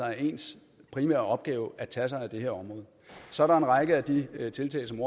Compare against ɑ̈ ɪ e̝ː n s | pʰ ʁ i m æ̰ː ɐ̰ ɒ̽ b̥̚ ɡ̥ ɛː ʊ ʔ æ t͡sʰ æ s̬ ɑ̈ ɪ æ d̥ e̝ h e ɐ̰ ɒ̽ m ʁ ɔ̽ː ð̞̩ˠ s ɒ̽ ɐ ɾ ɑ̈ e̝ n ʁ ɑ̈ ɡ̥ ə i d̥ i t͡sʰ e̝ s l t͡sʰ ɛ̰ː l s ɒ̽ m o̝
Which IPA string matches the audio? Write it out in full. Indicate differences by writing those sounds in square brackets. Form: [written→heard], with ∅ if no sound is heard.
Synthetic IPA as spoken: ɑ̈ ɪ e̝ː n s | pʰ ʁ i m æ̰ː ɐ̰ ɒ̽ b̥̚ ɡ̥ ɛː ʊ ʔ æ t͡sʰ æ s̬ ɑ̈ ɪ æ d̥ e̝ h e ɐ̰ ɒ̽ m ʁ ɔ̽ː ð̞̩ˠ s ɒ̽ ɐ ɾ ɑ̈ e̝ n ʁ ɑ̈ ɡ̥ ə [i→æ] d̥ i t͡sʰ e̝ [s→∅] l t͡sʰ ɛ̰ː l s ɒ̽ m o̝